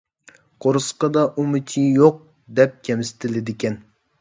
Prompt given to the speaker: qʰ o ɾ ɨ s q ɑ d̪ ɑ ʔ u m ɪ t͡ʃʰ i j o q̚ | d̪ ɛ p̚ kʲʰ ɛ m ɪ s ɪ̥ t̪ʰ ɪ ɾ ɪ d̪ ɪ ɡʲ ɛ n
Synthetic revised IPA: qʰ o ɾ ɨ s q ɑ d̪ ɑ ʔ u m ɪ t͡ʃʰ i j o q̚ | d̪ ɛ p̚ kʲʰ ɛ m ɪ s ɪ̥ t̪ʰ ɪ l ɪ d̪ ɪ kʲ ɛ n

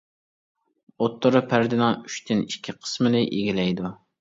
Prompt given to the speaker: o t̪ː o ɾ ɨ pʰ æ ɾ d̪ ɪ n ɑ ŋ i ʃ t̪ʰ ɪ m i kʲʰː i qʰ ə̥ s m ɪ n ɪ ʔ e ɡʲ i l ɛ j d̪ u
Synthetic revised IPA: o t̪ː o ɾ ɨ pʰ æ ɾ d̪ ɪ n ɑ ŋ y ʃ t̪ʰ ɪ n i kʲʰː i qʰ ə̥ s m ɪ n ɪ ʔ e ɡʲ i l ɛ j d̪ u

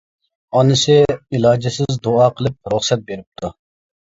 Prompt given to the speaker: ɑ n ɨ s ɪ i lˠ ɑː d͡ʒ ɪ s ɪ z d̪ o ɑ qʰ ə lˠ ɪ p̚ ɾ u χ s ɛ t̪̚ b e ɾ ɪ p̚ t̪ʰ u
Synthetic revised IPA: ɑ n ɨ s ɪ i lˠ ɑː d͡ʒ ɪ s ɪ z d̪ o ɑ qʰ ə lˠ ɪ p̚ ɾ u χ s ɛ t̪̚ b e ɾ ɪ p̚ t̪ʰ u

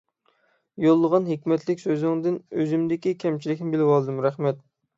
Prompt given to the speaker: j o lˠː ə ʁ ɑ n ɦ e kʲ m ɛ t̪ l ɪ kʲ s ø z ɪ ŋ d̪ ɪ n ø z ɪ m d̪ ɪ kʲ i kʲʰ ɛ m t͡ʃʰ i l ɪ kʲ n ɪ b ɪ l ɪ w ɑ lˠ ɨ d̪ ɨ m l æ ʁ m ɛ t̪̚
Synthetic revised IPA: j o lˠː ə ʁ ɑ n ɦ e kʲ m ɛ t̪ l ɪ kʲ s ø z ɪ ŋ d̪ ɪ n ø z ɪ m d̪ ɪ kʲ i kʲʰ ɛ m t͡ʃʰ i l ɪ kʲ n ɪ b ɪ l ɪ w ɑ lˠ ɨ d̪ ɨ m ɾ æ χ m ɛ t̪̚

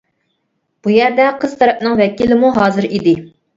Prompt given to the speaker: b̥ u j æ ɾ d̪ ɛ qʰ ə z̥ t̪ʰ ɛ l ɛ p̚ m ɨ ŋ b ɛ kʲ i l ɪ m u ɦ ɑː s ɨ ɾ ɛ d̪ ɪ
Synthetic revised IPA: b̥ u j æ ɾ d̪ ɛ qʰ ə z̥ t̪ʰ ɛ ɾ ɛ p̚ n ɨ ŋ v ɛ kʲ i l ɪ m u ɦ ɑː z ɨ ɾ i d̪ ɪ

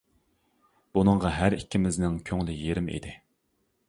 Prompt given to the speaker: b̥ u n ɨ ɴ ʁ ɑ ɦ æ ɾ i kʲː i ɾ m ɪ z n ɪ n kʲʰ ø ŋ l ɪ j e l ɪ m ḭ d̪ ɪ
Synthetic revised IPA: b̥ u n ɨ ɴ ʁ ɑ ɦ æ ɾ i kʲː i m ɪ z n ɪ ŋ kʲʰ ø ŋ l ɪ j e ɾ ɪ m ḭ d̪ ɪ

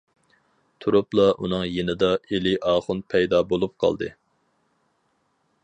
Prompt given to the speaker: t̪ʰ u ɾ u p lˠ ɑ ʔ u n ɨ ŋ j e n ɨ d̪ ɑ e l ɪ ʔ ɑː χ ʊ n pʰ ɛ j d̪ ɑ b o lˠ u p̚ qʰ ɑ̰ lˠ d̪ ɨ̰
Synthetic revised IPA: t̪ʰ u ɾ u p lˠ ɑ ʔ u n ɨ ŋ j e n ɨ d̪ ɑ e l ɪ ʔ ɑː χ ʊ n pʰ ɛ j d̪ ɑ b o lˠ u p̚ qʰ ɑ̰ lˠ d̪ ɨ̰

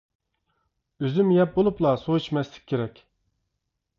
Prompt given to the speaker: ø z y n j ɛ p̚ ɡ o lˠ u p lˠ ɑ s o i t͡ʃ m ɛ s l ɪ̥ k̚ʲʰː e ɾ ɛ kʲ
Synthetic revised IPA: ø z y m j ɛ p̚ b o lˠ u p lˠ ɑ s o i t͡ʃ m ɛ s l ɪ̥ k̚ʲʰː e ɾ ɛ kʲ

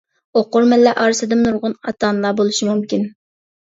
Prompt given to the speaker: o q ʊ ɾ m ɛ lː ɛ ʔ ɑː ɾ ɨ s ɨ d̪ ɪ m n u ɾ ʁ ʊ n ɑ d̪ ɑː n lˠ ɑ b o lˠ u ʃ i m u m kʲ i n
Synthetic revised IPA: o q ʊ ɾ m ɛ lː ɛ ʔ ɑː ɾ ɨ s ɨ d̪ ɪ m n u ɾ ʁ ʊ n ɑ t̪ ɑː n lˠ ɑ b o lˠ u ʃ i m u m kʲ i n

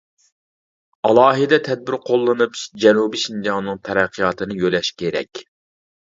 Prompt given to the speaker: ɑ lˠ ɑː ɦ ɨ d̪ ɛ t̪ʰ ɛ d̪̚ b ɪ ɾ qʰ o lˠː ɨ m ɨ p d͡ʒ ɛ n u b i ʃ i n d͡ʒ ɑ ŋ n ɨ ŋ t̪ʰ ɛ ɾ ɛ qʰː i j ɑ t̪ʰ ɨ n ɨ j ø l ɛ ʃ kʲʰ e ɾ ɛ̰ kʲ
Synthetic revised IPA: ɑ lˠ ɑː ɦ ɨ d̪ ɛ t̪ʰ ɛ d̪̚ b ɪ ɾ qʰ o lˠː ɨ n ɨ p d͡ʒ ɛ n u b i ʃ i n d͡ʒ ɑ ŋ n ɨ ŋ t̪ʰ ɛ ɾ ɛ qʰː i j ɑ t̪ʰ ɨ n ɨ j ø l ɛ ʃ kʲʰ e ɾ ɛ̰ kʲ

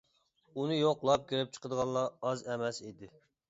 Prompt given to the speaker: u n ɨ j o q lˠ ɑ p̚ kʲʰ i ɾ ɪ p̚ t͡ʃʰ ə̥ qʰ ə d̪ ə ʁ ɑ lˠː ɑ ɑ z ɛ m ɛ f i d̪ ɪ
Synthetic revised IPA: u n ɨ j o q lˠ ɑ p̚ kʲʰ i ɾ ɪ p̚ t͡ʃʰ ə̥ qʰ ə d̪ ə ʁ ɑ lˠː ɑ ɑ z ɛ m ɛ s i d̪ ɪ

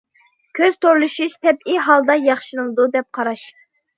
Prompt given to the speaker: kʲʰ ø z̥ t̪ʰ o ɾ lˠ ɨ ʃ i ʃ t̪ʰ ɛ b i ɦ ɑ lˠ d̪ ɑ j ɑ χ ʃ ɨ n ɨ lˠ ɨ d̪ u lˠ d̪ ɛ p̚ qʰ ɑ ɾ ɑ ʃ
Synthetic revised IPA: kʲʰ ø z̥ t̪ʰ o ɾ lˠ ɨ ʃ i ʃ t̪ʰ ɛ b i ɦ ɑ lˠ d̪ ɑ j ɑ χ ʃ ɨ n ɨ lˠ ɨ d̪ u d̪ ɛ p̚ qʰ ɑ ɾ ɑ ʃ

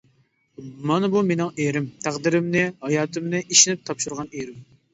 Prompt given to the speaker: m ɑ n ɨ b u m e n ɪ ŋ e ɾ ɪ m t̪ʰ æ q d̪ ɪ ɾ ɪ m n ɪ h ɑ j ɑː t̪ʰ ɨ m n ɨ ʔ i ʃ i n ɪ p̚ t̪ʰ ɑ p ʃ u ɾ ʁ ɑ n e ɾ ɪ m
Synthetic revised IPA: m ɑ n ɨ b u m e n ɪ ŋ e ɾ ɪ m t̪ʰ æ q d̪ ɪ ɾ ɪ m n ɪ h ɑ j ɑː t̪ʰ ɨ m n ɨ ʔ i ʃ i n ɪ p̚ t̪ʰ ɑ p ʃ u ɾ ʁ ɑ n e ɾ ɪ m

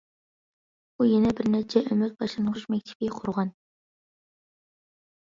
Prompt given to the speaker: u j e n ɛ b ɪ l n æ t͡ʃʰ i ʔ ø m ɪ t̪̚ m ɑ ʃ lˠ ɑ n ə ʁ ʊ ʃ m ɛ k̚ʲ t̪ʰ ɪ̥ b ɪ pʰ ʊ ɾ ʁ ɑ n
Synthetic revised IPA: u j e n ɛ b ɪ ɾ n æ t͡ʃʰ ɛ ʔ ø m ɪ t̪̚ b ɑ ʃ lˠ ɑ n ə ʁ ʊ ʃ m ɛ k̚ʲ t̪ʰ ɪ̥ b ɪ qʰ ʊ ɾ ʁ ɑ n

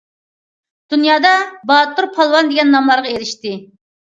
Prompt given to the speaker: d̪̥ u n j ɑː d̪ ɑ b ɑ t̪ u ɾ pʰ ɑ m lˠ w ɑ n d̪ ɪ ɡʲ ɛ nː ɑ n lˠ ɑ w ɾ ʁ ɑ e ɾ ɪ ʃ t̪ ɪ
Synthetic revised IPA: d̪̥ u n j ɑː d̪ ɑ b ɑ t̪ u ɾ pʰ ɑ lˠ w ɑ n d̪ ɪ ɡʲ ɛ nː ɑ m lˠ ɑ ɾ ʁ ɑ e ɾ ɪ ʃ t̪ ɪ

